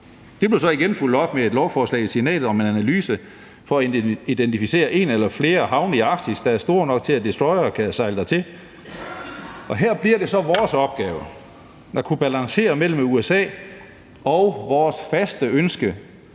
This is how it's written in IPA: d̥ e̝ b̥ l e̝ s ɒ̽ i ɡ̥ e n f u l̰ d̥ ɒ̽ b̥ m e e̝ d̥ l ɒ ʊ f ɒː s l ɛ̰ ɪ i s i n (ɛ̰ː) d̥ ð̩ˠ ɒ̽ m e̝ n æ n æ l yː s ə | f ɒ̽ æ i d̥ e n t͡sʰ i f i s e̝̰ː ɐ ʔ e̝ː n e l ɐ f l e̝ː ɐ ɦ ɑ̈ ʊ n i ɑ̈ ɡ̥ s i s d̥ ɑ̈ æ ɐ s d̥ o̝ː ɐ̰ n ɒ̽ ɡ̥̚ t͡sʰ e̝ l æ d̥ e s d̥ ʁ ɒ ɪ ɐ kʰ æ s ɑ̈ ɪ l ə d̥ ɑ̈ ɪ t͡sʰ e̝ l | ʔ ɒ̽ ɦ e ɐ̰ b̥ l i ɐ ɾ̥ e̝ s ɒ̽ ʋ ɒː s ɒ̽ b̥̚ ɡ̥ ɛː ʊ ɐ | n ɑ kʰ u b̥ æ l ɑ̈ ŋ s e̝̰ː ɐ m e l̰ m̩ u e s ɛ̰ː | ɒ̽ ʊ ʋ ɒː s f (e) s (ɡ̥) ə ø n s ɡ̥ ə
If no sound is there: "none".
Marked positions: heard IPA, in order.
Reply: ɛ̰ː, æ, d̥

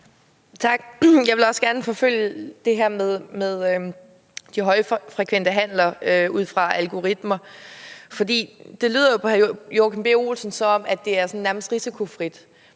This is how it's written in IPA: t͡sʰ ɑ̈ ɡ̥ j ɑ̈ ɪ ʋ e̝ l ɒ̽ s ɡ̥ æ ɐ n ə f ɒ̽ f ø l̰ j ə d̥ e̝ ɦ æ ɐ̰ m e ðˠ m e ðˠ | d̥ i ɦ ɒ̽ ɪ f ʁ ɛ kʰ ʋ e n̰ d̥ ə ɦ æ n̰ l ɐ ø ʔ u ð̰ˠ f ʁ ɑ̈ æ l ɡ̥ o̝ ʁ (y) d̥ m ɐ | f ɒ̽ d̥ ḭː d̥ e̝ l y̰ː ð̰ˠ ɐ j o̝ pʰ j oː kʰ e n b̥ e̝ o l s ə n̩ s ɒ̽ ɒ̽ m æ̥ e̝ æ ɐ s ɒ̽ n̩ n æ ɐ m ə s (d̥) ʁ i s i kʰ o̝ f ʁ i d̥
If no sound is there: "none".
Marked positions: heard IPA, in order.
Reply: i, d̥

